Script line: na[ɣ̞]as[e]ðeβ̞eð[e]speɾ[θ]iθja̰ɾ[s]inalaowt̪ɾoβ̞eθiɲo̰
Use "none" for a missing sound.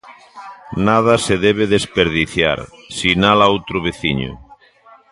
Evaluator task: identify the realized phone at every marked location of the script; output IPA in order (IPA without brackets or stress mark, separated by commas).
ð̞, e, e, ð, s